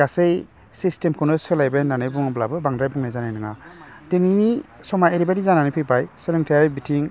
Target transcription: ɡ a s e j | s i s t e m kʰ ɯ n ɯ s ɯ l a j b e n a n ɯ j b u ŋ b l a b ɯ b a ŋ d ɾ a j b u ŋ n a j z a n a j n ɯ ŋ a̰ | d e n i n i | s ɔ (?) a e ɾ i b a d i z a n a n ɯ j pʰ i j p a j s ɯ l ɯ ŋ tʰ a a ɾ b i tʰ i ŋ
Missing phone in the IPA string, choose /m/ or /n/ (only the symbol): m